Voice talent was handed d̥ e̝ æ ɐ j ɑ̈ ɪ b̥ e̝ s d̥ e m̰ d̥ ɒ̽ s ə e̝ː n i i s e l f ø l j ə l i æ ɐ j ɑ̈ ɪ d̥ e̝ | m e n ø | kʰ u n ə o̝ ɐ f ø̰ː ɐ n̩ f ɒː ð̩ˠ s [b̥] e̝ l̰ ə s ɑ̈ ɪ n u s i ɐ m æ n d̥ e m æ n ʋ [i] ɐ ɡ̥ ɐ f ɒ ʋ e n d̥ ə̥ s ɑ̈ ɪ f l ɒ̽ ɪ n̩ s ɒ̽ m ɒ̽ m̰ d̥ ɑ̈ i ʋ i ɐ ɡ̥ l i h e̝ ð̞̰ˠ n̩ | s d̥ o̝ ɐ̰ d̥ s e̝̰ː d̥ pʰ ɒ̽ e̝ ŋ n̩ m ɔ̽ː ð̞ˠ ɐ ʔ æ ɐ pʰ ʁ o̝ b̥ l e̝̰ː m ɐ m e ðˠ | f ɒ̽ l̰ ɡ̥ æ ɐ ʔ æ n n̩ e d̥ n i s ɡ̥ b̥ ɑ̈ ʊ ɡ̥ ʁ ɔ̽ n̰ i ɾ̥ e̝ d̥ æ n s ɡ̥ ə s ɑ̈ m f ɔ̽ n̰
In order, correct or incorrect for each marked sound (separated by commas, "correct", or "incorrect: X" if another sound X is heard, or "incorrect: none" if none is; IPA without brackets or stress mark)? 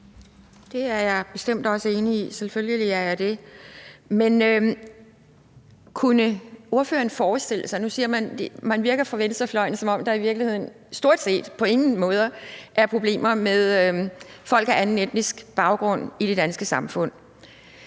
incorrect: d̥, correct